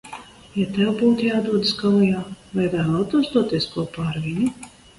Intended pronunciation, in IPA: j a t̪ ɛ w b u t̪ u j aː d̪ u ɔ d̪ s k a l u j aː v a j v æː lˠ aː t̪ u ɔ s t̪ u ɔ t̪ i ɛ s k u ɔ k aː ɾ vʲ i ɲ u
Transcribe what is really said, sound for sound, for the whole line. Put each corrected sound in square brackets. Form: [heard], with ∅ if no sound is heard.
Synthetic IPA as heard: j a t̪ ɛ w b [uː] t̪ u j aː d̪ u ɔ d̪ s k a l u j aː v a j v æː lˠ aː t̪ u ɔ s [d̪] u ɔ t̪ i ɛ s k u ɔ [p] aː ɾ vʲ i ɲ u